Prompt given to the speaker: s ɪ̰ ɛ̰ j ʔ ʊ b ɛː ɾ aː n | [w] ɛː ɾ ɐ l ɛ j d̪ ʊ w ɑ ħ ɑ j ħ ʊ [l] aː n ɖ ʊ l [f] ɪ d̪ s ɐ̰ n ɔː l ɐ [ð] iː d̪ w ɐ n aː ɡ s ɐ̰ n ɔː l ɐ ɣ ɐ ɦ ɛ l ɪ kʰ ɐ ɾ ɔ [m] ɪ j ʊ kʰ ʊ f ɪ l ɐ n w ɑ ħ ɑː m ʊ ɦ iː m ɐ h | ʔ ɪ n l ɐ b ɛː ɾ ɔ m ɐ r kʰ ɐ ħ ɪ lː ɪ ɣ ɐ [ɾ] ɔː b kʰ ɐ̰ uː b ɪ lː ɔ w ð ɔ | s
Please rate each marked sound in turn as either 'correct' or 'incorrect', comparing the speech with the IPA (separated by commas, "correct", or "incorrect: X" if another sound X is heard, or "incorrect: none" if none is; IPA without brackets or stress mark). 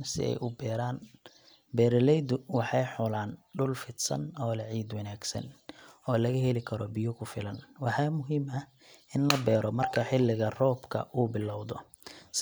incorrect: b, correct, correct, incorrect: ʕ, incorrect: b, incorrect: r